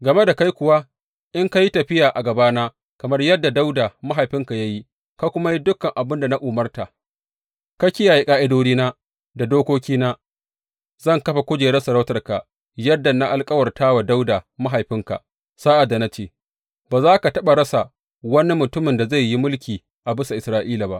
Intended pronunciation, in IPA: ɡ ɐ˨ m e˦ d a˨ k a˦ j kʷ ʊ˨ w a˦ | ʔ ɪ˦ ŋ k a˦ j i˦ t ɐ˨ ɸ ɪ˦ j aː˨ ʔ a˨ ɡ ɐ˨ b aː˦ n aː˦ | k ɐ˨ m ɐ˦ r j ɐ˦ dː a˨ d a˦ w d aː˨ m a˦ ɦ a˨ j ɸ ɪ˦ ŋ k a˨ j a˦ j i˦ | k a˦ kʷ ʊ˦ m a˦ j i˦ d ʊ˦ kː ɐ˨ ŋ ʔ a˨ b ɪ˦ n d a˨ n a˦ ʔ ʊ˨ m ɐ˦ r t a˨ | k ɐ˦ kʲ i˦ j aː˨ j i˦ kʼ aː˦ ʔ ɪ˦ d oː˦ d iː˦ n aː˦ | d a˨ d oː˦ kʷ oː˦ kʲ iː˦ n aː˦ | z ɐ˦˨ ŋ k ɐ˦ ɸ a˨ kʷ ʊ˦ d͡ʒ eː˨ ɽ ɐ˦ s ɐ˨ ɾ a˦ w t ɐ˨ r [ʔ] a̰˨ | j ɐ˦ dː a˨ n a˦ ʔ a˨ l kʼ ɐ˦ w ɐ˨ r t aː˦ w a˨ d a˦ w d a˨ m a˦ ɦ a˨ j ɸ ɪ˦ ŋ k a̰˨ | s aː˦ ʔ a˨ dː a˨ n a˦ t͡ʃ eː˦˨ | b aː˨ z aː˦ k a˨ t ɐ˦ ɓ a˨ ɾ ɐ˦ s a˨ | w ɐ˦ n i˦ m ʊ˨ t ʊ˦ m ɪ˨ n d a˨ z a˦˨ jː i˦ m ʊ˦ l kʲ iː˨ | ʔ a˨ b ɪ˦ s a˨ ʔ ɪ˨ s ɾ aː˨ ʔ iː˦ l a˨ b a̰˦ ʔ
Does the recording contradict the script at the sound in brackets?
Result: yes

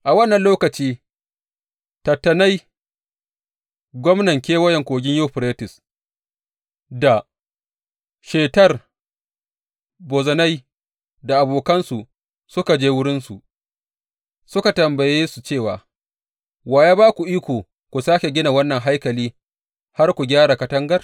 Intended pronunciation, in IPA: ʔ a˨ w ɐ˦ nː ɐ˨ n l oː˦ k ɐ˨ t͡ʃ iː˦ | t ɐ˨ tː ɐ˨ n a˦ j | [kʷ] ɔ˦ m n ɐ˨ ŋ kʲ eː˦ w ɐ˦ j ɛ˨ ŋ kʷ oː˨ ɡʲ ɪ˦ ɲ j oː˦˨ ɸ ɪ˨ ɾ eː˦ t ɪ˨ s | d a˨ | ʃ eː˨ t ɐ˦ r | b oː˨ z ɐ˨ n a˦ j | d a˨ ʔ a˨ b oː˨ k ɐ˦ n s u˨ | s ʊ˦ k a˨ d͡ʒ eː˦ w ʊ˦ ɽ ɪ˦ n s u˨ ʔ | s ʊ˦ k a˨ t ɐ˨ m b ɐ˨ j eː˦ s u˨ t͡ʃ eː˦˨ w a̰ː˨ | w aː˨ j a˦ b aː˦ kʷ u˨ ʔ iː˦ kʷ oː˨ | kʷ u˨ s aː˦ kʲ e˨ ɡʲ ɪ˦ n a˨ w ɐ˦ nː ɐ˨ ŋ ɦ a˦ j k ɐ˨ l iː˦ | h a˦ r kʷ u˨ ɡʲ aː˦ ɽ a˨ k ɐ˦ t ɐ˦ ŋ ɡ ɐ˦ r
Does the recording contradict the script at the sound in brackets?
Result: yes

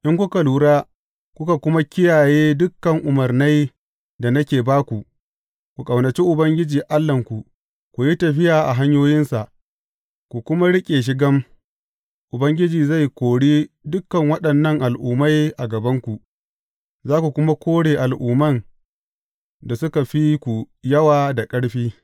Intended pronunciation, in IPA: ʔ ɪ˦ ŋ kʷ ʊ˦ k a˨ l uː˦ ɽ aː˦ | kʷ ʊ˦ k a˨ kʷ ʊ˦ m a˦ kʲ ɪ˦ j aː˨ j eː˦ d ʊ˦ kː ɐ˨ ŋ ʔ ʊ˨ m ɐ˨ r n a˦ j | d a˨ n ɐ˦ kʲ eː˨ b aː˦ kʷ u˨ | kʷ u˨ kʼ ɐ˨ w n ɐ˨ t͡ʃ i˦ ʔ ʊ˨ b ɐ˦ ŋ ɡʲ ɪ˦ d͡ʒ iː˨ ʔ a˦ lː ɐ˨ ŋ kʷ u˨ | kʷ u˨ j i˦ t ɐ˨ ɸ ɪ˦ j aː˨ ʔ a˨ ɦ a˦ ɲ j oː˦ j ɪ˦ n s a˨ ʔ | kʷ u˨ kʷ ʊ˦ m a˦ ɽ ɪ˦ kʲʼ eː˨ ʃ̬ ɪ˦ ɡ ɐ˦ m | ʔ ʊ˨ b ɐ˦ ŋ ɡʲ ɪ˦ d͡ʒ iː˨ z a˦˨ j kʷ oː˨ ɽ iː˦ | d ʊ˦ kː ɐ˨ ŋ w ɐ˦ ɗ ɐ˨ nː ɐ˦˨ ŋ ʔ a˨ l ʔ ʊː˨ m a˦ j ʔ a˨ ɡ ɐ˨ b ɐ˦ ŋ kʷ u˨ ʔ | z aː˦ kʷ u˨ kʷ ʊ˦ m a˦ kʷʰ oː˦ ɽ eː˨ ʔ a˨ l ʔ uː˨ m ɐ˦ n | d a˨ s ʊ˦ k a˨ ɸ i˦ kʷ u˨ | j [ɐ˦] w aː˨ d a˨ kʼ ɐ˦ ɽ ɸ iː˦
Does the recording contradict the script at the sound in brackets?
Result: no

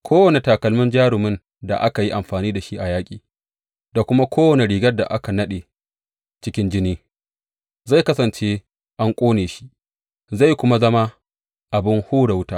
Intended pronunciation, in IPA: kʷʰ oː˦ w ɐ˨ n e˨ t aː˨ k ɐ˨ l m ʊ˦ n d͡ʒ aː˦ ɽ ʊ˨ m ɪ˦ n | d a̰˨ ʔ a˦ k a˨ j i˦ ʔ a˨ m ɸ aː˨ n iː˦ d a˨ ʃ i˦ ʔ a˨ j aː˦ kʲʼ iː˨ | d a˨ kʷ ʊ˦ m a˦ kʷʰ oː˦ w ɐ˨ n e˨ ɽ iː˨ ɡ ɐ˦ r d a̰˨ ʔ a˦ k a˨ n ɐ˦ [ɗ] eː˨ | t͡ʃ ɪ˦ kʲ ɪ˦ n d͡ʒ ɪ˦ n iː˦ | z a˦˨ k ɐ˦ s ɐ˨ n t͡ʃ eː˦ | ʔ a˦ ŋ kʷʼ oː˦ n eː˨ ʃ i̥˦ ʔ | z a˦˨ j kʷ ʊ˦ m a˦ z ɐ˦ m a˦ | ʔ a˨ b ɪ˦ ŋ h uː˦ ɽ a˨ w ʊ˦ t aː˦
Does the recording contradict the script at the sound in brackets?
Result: no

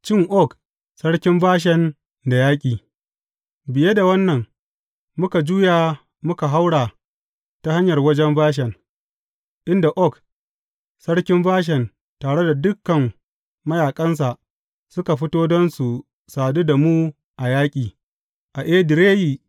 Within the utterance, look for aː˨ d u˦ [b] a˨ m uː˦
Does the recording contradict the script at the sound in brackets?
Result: yes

